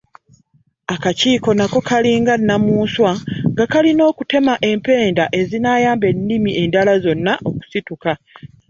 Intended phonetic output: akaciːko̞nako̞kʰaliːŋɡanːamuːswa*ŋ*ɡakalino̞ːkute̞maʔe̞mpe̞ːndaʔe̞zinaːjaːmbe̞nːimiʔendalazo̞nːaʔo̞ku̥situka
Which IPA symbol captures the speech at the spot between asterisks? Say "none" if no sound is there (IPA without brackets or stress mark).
ŋ